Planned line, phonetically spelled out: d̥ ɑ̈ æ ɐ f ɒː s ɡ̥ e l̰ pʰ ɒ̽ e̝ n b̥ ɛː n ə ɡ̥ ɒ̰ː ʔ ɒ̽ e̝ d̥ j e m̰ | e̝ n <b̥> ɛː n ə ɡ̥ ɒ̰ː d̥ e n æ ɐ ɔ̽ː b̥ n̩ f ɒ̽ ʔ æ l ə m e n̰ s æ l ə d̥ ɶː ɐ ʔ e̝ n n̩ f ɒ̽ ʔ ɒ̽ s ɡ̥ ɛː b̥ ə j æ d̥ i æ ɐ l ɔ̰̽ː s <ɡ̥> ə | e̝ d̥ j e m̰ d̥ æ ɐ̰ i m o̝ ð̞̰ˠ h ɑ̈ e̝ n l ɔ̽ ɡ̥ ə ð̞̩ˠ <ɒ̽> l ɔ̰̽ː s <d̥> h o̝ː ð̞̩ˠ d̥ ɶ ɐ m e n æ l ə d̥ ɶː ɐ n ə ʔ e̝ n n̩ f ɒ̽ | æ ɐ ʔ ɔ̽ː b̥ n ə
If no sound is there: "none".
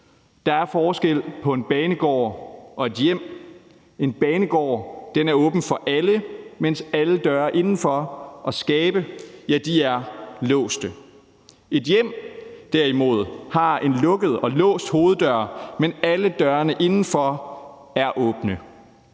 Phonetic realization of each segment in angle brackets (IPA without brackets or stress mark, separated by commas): b̥, d̥, ɒ̽, d̥